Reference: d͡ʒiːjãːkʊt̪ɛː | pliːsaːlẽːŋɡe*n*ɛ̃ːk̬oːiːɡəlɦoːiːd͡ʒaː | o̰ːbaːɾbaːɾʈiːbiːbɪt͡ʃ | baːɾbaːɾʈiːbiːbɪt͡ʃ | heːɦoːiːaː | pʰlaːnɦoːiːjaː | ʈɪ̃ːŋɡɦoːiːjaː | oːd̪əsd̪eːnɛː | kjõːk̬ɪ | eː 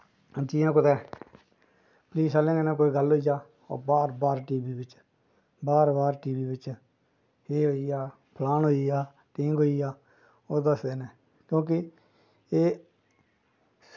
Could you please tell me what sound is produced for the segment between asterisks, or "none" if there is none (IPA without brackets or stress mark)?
n